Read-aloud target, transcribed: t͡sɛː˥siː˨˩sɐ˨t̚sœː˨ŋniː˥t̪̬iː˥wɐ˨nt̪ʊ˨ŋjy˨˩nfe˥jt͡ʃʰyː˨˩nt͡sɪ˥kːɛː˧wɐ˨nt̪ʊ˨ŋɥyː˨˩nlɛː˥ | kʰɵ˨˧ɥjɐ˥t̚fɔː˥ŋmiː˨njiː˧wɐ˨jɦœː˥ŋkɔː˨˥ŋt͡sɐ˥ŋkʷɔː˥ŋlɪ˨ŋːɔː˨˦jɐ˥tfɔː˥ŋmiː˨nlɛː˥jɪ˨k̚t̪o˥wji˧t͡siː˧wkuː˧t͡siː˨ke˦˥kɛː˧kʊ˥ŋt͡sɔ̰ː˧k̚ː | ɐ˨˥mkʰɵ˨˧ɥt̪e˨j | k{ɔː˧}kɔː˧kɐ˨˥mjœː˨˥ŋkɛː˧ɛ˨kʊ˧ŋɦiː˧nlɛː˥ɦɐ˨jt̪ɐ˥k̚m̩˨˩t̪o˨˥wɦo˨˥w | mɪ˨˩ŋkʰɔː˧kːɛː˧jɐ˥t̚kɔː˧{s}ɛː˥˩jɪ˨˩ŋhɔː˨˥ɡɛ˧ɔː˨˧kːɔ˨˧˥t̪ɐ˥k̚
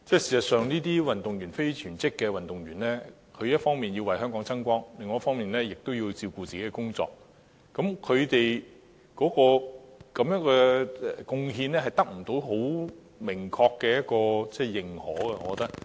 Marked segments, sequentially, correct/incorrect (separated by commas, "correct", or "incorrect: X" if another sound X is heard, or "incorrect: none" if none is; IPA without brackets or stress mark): incorrect: ɔː˨˥, incorrect: t͡s